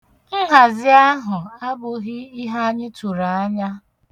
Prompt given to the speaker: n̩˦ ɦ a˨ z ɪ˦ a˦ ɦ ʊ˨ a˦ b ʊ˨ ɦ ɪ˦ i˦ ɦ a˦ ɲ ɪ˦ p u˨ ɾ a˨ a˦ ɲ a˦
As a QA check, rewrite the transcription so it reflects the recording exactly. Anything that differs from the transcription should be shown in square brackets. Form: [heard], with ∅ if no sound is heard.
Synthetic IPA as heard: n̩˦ ɦ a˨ z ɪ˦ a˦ ɦ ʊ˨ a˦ b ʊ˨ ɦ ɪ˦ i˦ ɦ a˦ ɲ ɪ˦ [t] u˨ ɾ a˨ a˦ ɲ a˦